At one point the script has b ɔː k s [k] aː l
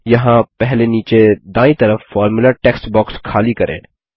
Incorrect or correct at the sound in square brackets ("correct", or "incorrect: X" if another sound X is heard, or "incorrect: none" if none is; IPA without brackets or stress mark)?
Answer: incorrect: kʰ